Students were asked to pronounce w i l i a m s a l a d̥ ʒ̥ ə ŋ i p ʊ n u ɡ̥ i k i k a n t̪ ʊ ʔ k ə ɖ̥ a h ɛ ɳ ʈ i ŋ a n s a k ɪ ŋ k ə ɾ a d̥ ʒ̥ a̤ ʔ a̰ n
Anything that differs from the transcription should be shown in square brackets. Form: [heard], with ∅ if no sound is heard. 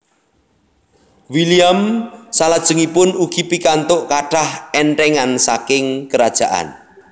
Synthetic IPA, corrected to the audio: w i l i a m s a l a d̥ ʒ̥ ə ŋ i p ʊ n u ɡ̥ i [p] i k a n t̪ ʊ ʔ k [a] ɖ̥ a h ɛ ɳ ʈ [ɛ] ŋ a n s a k ɪ ŋ k ə ɾ a d̥ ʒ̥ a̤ ʔ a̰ n